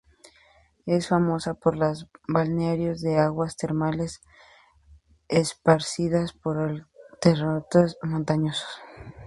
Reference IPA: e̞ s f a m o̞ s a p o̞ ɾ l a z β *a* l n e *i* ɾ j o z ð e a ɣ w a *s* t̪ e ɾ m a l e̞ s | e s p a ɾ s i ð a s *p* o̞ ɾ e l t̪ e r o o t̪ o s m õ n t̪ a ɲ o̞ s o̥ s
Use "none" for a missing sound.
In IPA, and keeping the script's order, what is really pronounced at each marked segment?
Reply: a, a, s, p

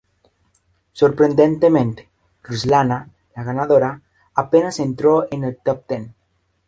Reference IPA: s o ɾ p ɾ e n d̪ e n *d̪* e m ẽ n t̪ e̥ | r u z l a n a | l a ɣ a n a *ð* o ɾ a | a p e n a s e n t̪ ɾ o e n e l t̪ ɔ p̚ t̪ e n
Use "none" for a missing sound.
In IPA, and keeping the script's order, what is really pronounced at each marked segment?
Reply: t̪, ð

